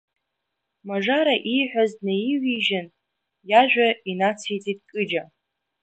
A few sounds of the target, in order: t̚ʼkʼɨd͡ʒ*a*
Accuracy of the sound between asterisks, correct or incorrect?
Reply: correct